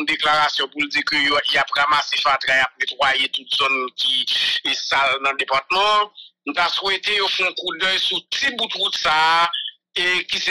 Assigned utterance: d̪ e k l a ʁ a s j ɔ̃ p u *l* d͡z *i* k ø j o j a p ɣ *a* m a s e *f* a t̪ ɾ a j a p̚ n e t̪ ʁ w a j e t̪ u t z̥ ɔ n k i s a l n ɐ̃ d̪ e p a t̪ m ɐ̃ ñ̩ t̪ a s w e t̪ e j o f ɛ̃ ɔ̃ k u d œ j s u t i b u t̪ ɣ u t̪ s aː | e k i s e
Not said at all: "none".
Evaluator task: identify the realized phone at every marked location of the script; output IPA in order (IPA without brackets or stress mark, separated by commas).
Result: l, i, a, f